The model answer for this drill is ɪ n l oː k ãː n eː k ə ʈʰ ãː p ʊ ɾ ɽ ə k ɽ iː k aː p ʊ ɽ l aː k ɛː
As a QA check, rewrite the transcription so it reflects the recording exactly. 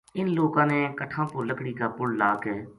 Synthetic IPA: ɪ n l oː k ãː n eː k ə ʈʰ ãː p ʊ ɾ l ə k ɽ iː k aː p ʊ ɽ l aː k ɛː